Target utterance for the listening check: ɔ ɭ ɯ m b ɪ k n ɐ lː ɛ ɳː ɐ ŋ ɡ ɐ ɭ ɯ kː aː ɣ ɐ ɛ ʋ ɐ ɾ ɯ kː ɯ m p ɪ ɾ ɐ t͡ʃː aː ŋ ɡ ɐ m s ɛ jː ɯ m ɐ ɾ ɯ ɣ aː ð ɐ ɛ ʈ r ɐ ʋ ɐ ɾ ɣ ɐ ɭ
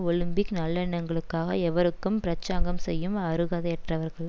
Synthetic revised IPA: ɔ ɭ ɯ m b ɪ k n ɐ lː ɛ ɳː ɐ ŋ ɡ ɐ ɭ ɯ kː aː ɣ ɐ ɛ ʋ ɐ ɾ ɯ kː ɯ m p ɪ ɾ ɐ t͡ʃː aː ŋ ɡ ɐ m s ɛ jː ɯ m ɐ ɾ ɯ ɣ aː ð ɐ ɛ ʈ r ɐ ʋ ɐ ɾ ɣ ɐ ɭ